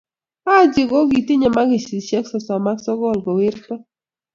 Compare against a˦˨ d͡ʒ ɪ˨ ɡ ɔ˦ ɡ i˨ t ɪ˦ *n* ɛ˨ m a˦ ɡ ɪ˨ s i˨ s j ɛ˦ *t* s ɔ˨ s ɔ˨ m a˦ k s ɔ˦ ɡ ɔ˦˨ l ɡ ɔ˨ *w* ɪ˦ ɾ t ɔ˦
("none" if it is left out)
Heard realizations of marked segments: ɲ, k, w

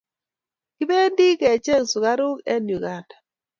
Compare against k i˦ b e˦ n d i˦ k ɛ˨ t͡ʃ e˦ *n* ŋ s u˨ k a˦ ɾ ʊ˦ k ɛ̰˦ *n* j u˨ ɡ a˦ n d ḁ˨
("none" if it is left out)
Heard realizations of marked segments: none, n

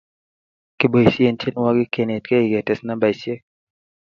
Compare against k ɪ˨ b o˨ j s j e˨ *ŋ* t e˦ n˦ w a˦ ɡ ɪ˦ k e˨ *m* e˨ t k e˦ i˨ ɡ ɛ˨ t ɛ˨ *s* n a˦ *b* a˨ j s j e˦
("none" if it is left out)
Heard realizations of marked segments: n, n, s, b

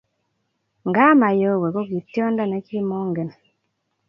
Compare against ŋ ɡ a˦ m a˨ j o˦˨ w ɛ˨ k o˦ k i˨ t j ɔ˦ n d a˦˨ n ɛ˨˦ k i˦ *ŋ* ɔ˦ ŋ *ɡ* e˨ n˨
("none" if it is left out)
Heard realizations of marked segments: m, ɡ

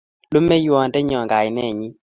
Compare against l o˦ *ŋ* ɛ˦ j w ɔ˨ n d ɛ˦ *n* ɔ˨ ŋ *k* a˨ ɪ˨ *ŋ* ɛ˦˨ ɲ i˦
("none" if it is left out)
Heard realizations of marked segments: m, ɲ, ɡ, n

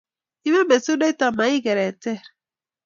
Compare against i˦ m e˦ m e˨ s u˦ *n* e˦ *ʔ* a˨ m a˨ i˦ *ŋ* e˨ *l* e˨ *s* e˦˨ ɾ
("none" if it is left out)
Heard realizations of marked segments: d, t, ɡ, ɾ, t

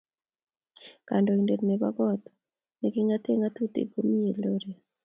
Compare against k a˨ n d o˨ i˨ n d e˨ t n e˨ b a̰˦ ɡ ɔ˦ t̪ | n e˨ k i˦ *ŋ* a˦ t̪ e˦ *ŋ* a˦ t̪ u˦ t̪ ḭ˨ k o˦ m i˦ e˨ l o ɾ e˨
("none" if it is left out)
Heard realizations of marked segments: ŋ, ŋ

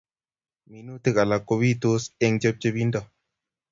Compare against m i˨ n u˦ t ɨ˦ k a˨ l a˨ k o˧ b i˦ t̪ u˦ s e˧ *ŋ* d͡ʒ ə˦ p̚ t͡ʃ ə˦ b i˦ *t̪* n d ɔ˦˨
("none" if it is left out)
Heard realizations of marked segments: ŋ, none

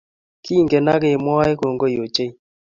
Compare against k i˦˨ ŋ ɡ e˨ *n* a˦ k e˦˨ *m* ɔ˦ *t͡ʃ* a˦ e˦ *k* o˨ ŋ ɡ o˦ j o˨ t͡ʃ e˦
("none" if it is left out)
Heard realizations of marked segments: n, m, none, k

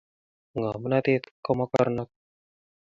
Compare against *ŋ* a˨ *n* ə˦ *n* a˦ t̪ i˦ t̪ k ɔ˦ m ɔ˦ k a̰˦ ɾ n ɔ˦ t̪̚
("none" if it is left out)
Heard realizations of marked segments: ŋ, m, n

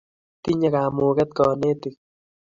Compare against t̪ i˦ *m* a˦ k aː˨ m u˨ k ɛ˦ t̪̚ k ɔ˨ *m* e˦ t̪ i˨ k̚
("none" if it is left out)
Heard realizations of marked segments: ɲ, n

